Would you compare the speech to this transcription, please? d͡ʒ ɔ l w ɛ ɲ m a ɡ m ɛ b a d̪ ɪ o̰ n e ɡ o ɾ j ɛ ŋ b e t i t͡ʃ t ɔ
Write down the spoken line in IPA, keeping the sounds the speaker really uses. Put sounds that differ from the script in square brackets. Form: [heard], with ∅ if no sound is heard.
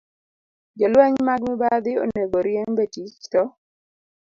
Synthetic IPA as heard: d͡ʒ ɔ l w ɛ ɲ m a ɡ m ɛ b a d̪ ɪ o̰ n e ɡ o ɾ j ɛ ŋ b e t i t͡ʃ t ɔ